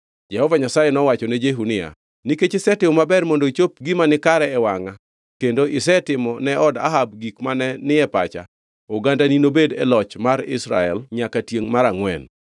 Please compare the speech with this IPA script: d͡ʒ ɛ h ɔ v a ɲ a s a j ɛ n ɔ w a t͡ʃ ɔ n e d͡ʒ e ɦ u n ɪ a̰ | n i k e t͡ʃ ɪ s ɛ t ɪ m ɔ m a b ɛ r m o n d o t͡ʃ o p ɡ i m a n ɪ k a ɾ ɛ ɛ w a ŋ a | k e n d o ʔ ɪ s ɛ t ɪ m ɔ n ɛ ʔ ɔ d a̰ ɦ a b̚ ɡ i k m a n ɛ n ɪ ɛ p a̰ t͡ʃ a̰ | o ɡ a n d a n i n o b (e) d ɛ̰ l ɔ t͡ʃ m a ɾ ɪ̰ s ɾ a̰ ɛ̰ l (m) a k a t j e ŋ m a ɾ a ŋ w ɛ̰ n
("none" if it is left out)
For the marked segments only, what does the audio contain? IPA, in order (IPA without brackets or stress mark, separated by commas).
e, ɲ